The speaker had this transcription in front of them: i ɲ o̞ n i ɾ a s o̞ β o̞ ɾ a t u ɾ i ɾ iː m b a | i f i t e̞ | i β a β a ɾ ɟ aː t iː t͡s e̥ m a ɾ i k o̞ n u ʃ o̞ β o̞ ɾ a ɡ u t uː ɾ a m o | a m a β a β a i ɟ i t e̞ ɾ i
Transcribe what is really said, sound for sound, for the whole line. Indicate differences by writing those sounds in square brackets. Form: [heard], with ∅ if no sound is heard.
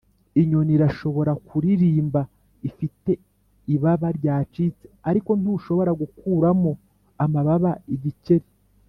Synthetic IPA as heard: i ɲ o̞ n i ɾ a [ʃ] o̞ β o̞ ɾ a [k] u ɾ i ɾ iː m b a | i f i t e̞ | i β a β a ɾ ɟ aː [t͡ʃ] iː t͡s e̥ [∅] a ɾ i k o̞ n u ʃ o̞ β o̞ ɾ a ɡ u [k] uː ɾ a m o | a m a β a β a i ɟ i [c] e̞ ɾ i